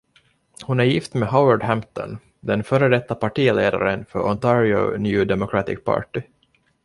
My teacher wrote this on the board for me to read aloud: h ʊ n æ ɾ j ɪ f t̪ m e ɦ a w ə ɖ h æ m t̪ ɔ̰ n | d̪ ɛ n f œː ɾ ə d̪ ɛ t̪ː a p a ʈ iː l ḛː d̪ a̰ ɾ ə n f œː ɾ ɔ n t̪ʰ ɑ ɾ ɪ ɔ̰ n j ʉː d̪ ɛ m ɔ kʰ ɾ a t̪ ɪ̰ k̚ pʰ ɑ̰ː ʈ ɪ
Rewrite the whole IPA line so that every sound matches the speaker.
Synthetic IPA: h ʊ n æ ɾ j ɪ f t̪ m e ɦ a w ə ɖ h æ m t̪ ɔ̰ n | d̪ ɛ n f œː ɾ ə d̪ ɛ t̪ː a p a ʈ iː l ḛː d̪ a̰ ɾ ə n f œ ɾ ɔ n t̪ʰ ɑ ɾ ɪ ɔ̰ n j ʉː d̪ ɛ m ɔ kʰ ɾ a t̪ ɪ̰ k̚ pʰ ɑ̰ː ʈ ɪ